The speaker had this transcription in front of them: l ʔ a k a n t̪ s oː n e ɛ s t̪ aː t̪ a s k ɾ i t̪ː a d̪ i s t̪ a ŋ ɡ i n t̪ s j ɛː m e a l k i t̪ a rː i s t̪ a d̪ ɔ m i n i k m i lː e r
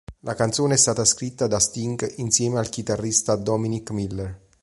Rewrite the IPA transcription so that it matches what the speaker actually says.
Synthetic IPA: l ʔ a k a n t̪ s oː n e ɛ s t̪ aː t̪ a s k ɾ i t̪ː a d̪ a s t̪ i ŋ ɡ i n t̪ s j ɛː m e a l k i t̪ a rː i s t̪ a d̪ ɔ m i n i k m i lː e r

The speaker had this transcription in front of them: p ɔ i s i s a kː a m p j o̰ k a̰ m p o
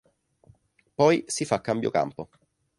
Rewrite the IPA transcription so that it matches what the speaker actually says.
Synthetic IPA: p ɔ j s i f a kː a m b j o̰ k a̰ m p o

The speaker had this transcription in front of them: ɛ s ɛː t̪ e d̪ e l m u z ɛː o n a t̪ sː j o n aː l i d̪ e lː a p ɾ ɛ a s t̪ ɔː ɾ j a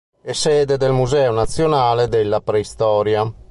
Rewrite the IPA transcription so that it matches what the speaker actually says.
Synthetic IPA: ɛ s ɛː d̪ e d̪ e l m u z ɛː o n a t̪ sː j o n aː l e d̪ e lː a p ɾ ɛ i s t̪ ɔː ɾ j a

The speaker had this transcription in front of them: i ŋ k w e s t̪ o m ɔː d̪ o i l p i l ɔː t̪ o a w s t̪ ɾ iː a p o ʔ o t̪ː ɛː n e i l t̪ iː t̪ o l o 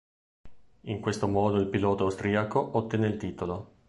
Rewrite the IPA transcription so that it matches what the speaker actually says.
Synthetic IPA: i ŋ k w e s t̪ o m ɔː d̪ o i l p i l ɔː t̪ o a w s t̪ ɾ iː a k o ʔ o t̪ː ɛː n e i l t̪ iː t̪ o l o

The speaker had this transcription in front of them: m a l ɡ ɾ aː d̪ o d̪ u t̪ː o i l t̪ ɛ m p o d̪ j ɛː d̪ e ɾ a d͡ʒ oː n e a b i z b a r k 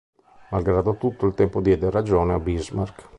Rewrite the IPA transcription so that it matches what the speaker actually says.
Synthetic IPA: m a l ɡ ɾ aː d̪ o t̪ u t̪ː o i l t̪ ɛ m p o d̪ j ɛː d̪ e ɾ a d͡ʒ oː n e a b i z m a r k

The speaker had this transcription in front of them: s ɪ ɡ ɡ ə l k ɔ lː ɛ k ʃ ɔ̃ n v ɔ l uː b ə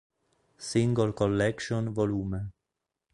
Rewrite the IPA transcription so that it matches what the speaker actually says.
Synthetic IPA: s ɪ ŋ ɡ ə l k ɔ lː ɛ k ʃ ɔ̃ n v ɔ l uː m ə

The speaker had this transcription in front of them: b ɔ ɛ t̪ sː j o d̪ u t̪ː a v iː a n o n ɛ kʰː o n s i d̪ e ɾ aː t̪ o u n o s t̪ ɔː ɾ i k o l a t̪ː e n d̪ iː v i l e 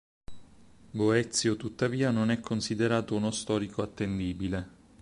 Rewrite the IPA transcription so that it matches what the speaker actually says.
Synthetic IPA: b o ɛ t̪ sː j o t̪ u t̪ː a v iː a n o n ɛ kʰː o n s i d̪ e ɾ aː t̪ o u n o s t̪ ɔː ɾ i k o a t̪ː e n d̪ iː b i l e

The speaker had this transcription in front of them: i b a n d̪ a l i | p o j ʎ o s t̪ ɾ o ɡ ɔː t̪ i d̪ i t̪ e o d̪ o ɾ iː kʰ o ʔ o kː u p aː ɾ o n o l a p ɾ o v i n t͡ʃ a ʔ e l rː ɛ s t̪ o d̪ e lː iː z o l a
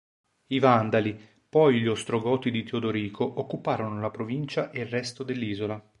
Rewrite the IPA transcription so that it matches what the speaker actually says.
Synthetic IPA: i v a n d̪ a l i | p ɔ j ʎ o s t̪ ɾ o ɡ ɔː t̪ i d̪ i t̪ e o d̪ o ɾ iː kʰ o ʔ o kː u p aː ɾ o n o l a p ɾ o v i n t͡ʃ a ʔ e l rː ɛ s t̪ o d̪ e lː iː z o l a

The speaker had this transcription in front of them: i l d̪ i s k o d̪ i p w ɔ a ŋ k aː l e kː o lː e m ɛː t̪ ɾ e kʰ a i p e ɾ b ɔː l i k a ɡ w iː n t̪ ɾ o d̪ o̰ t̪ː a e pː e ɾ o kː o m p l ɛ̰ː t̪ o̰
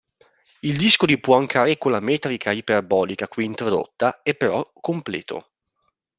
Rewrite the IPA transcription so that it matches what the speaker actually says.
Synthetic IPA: i l d̪ i s k o d̪ i p w ɔ a ŋ k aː ɾ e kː o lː a m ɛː t̪ ɾ i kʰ a i p e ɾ b ɔː l i k a k w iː n t̪ ɾ o d̪ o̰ t̪ː a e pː e ɾ ɔ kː o m p l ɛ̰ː t̪ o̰

